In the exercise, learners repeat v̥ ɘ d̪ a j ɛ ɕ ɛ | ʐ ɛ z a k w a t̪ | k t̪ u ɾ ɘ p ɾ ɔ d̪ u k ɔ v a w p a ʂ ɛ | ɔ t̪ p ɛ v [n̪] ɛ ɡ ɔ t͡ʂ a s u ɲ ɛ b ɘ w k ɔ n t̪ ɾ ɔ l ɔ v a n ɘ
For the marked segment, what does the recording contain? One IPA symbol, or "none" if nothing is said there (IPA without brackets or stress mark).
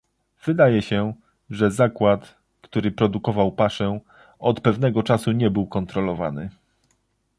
n̪